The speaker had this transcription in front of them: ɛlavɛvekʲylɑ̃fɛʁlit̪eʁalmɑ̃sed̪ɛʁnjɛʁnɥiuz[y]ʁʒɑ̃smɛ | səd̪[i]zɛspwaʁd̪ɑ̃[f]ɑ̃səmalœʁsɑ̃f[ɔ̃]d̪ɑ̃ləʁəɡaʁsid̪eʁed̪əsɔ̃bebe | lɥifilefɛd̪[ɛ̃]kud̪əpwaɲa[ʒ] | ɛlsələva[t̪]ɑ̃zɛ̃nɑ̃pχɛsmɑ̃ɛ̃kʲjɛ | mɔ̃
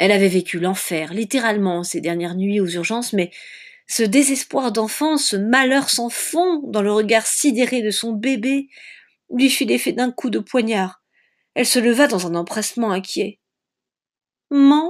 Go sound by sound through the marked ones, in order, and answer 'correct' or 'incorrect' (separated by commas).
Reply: correct, incorrect, correct, correct, correct, incorrect, incorrect